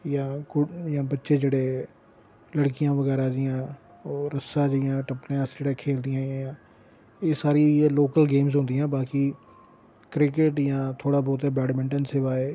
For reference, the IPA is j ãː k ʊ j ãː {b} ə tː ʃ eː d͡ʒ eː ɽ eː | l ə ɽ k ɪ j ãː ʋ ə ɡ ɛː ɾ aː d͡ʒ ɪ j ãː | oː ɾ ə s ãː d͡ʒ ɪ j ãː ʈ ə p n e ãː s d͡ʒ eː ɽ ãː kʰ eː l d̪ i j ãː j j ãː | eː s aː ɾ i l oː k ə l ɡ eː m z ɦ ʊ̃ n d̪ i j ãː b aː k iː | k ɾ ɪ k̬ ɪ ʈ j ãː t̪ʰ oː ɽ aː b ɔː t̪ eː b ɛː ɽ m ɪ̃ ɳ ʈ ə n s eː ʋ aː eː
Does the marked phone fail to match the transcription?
no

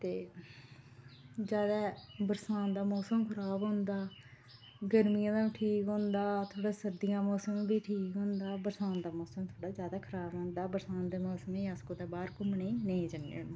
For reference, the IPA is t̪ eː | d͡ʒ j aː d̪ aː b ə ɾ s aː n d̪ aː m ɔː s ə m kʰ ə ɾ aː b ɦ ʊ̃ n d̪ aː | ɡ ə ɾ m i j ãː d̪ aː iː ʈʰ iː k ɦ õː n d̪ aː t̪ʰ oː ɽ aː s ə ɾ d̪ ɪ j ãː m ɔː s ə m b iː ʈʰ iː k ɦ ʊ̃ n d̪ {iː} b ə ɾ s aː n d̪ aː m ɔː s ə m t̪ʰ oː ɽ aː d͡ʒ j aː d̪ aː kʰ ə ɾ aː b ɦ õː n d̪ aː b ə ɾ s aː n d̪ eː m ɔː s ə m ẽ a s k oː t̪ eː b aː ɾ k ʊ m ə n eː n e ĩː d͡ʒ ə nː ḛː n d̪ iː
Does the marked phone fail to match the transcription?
yes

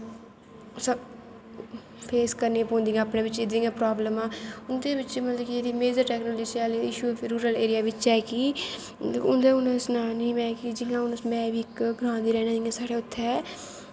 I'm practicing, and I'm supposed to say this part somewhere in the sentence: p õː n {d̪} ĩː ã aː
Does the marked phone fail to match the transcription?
no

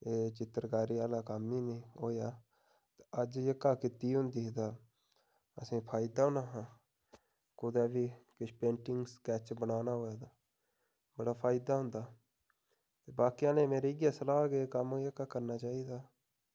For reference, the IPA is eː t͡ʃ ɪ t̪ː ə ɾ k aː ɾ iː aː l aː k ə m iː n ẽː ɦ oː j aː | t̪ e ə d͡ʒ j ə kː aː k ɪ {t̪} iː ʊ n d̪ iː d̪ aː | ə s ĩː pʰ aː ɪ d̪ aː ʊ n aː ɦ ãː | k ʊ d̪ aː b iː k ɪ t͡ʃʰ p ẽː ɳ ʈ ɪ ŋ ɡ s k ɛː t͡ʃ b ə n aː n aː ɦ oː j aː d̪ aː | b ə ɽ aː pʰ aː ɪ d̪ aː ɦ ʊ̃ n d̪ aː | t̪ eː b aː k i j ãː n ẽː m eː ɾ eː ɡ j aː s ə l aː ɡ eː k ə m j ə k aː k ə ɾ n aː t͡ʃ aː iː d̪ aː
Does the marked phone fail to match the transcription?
no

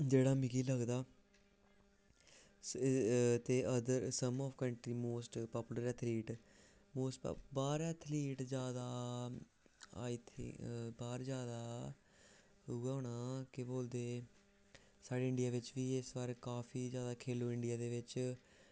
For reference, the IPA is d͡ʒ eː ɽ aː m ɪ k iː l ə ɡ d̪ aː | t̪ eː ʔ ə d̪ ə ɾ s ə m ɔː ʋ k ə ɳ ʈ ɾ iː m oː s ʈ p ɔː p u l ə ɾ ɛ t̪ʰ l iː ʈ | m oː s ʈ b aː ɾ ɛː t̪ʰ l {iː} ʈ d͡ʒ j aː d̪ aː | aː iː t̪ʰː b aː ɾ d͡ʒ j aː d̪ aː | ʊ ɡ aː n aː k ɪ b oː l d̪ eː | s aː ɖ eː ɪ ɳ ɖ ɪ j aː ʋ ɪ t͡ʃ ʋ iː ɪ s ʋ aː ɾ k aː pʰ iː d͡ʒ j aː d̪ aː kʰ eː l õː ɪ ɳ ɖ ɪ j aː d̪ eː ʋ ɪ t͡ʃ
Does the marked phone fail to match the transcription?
no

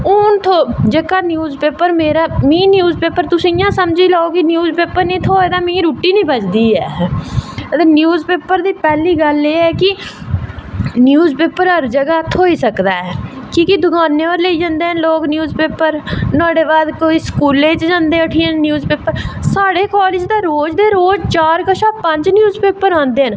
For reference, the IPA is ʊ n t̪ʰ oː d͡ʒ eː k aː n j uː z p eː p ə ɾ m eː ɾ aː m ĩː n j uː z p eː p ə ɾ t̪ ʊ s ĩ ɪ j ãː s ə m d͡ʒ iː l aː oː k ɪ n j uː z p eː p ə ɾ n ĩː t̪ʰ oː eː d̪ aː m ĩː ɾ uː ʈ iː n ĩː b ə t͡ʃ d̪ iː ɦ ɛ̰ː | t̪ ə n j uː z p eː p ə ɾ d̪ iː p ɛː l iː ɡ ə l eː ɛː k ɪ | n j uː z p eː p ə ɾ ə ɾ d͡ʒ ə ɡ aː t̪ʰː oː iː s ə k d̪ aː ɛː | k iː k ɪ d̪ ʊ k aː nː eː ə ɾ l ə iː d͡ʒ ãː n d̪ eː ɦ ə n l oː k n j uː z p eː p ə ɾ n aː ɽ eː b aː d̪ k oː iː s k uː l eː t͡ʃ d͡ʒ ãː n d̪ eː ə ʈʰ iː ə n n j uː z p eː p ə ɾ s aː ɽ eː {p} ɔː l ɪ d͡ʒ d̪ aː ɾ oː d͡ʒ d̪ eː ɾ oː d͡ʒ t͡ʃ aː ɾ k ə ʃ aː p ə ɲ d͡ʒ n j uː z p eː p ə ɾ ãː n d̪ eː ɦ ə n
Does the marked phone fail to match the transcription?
yes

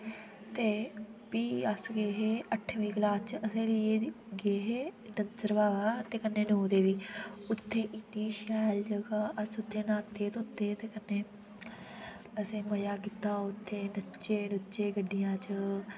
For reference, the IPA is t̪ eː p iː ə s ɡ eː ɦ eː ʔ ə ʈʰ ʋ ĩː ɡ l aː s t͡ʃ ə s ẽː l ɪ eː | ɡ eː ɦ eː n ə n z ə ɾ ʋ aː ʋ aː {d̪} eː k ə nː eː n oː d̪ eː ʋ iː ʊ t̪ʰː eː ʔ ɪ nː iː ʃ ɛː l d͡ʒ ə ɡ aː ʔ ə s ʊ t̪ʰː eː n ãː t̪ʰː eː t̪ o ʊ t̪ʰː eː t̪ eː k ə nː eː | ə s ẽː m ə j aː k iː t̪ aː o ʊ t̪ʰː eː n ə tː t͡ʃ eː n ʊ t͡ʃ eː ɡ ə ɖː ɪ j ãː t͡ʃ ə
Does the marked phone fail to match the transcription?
yes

